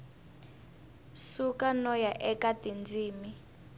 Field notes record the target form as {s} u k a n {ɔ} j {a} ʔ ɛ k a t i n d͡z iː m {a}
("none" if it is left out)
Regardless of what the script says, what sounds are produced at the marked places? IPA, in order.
s, ɔ, a, i

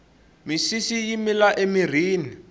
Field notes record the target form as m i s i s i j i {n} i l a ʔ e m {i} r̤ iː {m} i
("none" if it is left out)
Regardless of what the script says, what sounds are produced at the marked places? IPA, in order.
m, i, n

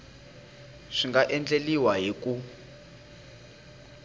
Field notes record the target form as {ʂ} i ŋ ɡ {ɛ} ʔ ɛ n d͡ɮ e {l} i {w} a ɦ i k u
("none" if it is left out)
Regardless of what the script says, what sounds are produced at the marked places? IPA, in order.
ʂ, a, l, w

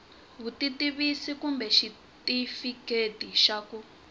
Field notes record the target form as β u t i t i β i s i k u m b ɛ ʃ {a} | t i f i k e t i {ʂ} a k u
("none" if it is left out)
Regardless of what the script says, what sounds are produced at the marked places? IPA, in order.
i, ʃ

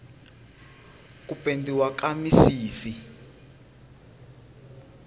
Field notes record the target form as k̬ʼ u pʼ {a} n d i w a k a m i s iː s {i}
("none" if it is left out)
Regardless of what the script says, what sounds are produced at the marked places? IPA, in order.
e, i

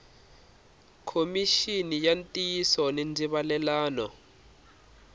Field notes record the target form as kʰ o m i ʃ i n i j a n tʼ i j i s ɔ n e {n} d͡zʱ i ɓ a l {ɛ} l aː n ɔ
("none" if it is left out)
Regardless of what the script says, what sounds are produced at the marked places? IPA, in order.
n, ɛ

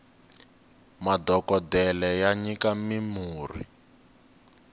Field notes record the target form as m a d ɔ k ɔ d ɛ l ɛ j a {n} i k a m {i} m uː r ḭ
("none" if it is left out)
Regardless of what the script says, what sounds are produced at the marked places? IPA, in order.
ɲ, i

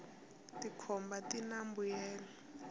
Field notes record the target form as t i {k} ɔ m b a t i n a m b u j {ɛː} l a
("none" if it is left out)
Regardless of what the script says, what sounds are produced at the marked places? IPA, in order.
kʰ, ɛː

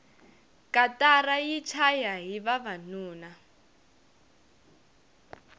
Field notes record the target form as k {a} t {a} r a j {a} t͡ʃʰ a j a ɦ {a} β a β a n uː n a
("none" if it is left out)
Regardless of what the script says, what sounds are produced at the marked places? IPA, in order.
a, a, i, i

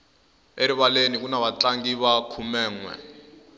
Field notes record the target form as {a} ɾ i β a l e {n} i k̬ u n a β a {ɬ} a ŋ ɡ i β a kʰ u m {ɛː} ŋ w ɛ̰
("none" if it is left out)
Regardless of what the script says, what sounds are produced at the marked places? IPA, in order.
e, n, t͡ɬ, ɛː

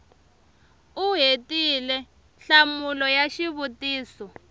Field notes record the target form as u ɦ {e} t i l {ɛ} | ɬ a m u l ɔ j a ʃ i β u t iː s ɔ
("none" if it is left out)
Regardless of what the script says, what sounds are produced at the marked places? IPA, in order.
e, ɛ

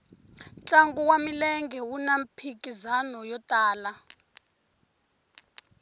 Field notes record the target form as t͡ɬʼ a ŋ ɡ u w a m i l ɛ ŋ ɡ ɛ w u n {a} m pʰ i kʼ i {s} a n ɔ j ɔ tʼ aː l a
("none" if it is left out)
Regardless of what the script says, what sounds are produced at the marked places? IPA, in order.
a, z

